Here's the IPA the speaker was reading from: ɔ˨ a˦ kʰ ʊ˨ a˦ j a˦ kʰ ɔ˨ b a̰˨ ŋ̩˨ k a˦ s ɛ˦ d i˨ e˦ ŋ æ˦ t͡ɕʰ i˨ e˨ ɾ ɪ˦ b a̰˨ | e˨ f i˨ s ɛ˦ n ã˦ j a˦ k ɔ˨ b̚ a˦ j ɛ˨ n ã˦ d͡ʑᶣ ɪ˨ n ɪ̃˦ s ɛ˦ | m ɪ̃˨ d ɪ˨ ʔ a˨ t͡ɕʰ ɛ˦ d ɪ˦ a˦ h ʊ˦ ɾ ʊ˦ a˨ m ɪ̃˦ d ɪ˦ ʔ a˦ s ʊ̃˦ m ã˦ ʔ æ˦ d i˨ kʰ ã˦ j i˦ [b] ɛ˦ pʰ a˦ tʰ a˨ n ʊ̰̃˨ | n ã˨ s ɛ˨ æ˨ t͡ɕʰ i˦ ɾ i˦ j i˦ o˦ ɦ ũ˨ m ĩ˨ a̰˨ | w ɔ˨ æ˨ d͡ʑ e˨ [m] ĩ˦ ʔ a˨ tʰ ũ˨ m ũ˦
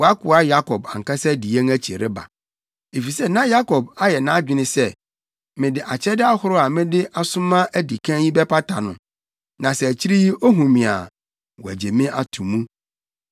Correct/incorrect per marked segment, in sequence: correct, correct

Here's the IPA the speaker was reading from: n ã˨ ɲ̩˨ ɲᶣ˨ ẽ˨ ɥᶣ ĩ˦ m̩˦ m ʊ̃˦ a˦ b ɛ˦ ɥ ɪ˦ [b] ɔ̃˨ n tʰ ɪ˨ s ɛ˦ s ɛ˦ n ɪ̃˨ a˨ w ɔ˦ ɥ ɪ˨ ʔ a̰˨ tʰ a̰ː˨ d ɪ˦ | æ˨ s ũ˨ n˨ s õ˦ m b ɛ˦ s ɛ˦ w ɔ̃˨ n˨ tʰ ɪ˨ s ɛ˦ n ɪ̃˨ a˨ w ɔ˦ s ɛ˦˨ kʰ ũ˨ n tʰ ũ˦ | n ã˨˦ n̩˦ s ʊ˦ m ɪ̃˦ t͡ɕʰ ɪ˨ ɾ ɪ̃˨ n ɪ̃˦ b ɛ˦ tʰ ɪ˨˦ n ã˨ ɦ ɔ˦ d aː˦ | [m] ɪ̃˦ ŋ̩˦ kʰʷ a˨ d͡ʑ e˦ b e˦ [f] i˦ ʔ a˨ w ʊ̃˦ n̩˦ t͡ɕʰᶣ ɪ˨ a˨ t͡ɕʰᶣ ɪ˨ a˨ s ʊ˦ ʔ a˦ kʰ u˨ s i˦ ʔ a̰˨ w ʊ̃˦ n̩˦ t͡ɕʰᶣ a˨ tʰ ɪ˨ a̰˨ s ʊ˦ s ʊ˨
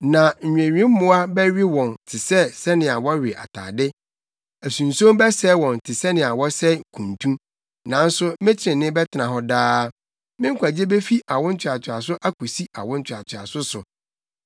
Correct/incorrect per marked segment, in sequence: incorrect, correct, correct

